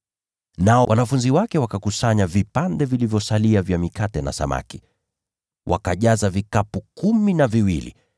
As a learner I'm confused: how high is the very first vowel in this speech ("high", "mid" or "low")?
low